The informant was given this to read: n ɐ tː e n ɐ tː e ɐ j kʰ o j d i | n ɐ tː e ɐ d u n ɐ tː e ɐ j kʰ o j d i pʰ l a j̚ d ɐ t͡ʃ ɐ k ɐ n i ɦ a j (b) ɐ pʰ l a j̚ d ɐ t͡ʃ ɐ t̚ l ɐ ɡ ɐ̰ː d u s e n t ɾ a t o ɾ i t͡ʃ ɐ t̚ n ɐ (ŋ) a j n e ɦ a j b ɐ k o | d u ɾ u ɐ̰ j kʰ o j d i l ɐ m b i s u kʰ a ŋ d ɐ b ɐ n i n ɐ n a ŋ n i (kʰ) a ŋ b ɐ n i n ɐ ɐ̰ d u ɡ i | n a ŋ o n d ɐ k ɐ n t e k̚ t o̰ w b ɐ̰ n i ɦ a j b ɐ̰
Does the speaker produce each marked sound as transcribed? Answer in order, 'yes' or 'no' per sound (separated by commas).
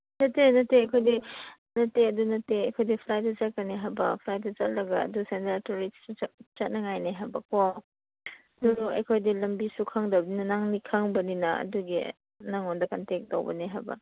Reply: yes, yes, yes